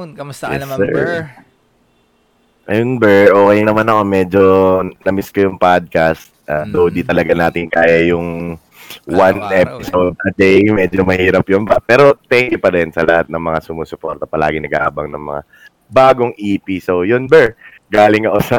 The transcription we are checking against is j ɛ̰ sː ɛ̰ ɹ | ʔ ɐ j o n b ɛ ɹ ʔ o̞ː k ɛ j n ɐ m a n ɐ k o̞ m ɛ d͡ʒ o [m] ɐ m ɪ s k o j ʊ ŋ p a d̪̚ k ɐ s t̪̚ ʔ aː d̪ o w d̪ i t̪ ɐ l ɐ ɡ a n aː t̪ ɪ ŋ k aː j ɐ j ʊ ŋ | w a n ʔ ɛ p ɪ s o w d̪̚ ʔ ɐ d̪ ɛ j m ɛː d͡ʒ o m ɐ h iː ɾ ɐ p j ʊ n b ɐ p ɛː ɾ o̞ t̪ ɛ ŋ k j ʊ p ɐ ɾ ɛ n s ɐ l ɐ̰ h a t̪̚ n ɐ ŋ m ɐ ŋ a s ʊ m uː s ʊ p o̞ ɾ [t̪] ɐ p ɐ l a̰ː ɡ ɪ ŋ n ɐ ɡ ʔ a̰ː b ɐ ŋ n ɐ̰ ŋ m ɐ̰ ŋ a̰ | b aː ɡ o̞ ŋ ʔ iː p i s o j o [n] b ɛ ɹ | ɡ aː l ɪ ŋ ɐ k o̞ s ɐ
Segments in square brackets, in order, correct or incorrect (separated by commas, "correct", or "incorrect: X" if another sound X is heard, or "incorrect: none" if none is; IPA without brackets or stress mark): incorrect: n, correct, correct